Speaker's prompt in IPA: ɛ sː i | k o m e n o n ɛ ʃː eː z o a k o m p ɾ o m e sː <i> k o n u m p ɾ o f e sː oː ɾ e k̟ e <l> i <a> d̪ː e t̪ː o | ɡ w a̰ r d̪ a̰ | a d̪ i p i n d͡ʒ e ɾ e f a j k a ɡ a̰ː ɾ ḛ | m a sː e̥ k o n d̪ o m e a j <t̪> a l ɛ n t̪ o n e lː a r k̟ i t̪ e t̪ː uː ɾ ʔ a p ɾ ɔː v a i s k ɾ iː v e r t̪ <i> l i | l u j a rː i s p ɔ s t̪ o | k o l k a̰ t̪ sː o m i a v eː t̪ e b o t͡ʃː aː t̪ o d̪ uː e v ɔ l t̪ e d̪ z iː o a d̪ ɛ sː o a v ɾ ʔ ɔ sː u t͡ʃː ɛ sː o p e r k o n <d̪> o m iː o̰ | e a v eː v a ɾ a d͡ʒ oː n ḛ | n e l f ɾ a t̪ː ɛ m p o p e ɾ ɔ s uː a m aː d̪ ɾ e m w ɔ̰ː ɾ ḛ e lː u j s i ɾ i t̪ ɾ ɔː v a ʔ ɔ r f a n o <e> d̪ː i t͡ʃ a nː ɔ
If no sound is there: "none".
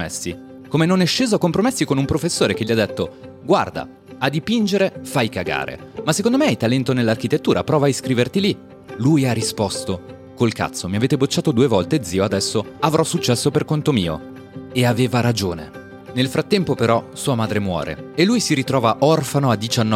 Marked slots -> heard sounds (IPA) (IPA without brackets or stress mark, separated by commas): i, ʎ, a, t̪, i, t̪, a